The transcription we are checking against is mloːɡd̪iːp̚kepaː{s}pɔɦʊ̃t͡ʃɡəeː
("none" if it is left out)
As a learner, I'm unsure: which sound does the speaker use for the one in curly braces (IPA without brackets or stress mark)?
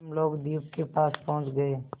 s